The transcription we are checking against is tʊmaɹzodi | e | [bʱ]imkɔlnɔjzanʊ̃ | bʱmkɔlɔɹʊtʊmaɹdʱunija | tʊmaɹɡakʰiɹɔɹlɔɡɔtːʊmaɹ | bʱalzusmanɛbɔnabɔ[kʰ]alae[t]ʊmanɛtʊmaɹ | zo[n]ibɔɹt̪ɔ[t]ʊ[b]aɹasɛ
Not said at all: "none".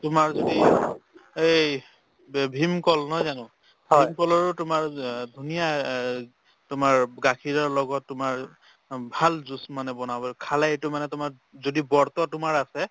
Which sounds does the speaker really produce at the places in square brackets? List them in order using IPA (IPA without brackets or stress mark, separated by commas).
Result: bʱ, kʰ, t, d, t, m